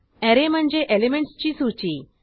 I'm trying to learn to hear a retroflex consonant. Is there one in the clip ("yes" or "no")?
yes